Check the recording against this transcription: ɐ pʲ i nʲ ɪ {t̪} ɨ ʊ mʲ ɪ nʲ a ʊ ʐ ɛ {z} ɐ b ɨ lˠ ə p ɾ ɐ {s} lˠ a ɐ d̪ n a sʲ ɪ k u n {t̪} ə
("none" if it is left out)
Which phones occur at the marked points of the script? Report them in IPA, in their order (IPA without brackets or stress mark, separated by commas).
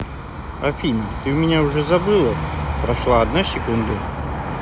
t̪, z, ʂ, d̪